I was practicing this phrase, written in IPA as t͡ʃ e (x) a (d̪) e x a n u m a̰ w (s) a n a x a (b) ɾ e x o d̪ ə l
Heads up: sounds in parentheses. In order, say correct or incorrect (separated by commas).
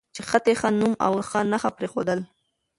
correct, incorrect, incorrect, incorrect